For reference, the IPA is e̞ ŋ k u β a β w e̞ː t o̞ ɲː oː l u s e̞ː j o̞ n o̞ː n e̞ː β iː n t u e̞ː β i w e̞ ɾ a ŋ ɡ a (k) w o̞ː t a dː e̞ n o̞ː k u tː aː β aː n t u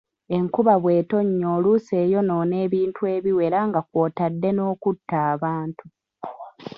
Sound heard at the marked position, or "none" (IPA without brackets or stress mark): k